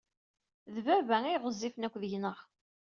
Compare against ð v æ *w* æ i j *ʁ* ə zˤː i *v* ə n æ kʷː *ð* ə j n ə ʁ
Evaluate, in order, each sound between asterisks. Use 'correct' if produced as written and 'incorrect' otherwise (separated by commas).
incorrect, correct, incorrect, correct